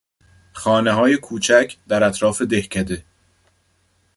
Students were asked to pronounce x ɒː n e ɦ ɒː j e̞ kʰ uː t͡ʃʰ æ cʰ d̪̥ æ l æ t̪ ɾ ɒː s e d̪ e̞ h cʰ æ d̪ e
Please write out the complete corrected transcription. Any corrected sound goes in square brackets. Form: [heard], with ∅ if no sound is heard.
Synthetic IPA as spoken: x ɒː n e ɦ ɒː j e̞ kʰ uː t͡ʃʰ æ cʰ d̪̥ æ [ɾ] æ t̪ ɾ ɒː [f] e d̪ e̞ h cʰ æ d̪ e